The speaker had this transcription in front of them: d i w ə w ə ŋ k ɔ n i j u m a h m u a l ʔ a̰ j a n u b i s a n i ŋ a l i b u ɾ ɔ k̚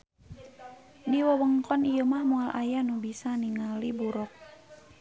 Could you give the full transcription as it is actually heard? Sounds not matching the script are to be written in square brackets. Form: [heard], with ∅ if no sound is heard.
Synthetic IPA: d i w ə w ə ŋ k ɔ n i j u m a h m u a l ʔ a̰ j a n u b i s a n i ŋ a l i b u ɾ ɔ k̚

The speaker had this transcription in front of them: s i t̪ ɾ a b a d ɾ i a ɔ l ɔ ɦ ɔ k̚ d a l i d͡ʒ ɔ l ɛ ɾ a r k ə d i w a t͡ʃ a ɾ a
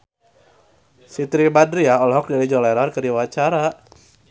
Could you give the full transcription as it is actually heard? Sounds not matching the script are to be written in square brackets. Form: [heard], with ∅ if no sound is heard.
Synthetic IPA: s i t̪ ɾ [i] b a d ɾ i a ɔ l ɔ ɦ ɔ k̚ d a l i d͡ʒ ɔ l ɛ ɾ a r k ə d i w a t͡ʃ a ɾ a

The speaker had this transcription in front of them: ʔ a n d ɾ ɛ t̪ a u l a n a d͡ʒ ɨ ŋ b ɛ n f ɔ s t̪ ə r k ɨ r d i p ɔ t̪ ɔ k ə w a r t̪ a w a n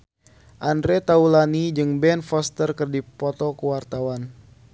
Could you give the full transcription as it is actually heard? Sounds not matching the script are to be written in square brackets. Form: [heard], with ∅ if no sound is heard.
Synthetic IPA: ʔ a n d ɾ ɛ t̪ a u l a n [i] d͡ʒ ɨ ŋ b ɛ n f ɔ s t̪ ə r k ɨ r d i p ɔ t̪ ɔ k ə w a r t̪ a w a n

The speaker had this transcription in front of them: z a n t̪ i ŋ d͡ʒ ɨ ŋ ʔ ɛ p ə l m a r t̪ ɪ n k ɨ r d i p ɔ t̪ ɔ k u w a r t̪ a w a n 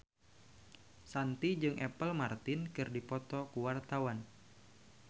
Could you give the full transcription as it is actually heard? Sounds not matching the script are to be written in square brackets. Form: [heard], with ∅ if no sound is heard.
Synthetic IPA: [s] a n t̪ i [∅] d͡ʒ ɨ ŋ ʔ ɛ p ə l m a r t̪ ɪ n k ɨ r d i p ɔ t̪ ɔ k u w a r t̪ a w a n

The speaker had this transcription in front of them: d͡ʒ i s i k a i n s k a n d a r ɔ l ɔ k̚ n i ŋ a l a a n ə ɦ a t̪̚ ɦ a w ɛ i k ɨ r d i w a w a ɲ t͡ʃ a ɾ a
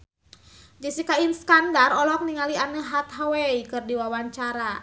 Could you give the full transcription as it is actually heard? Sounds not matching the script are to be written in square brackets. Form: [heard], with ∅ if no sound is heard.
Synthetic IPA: d͡ʒ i s i k a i n s k a n d a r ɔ l ɔ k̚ n i ŋ a l [i] a n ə ɦ a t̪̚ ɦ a w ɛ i k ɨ r d i w a w a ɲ t͡ʃ a ɾ a

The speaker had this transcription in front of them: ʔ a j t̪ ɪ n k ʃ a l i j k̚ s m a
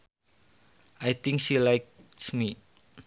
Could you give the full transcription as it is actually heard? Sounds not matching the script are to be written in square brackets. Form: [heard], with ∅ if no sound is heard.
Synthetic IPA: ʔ a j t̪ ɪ [ŋ] k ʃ [i] l [a] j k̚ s m [i]

